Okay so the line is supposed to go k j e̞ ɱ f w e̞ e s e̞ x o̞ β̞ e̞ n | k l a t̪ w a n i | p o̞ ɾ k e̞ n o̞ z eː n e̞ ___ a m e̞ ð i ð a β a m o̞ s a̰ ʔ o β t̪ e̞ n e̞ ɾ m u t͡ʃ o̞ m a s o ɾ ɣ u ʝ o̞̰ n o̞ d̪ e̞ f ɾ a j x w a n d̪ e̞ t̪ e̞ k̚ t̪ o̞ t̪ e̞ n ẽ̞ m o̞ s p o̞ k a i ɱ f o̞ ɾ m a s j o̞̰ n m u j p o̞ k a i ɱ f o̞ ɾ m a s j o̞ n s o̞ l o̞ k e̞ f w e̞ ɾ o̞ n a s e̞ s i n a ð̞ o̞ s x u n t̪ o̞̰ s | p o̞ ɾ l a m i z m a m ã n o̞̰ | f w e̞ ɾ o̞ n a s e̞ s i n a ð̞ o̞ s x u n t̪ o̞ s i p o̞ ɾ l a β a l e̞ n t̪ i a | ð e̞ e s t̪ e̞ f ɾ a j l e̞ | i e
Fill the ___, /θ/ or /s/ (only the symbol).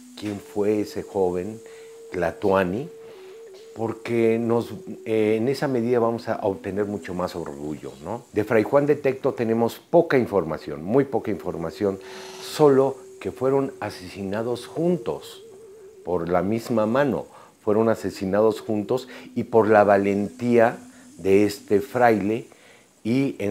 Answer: s